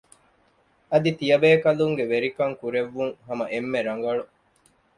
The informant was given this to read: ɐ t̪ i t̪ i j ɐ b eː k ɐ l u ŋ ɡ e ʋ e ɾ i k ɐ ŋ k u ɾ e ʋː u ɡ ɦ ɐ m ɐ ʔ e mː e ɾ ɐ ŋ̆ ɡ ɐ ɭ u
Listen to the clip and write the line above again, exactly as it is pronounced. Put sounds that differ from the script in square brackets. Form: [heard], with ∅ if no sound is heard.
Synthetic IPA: ɐ [d̪] i t̪ i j ɐ b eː k ɐ l u ŋ ɡ e ʋ e ɾ i k ɐ ŋ k u ɾ e ʋː u [ŋ] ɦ ɐ m ɐ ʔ e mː e ɾ ɐ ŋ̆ ɡ ɐ ɭ u